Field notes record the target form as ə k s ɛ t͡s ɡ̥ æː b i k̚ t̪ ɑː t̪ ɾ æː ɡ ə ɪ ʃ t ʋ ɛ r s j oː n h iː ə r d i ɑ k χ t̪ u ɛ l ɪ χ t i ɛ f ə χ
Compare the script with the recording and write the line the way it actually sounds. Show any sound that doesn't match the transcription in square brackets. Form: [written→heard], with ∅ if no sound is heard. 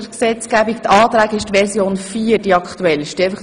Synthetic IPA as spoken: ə k s ɛ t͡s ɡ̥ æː b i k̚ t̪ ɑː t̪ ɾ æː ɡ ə ɪ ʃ t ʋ ɛ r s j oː n [h→f] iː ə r d i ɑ k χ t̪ u ɛ l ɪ [χ→ʃ] t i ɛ f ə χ